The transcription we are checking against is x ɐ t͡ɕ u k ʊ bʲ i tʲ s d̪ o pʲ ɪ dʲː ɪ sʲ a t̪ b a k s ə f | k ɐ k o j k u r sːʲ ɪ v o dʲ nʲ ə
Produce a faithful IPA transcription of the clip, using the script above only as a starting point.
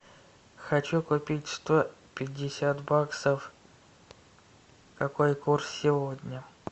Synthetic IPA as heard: x ɐ t͡ɕ u k ʊ pʲ i tʲ s t̪ o pʲ ɪ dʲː ɪ sʲ a t̪ b a k s ə f | k ɐ k o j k u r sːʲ ɪ v o dʲ nʲ ə